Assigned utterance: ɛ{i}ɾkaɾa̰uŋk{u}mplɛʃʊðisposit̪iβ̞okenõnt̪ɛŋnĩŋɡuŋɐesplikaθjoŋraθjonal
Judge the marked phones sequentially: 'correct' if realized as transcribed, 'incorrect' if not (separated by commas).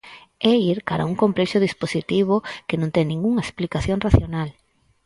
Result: correct, incorrect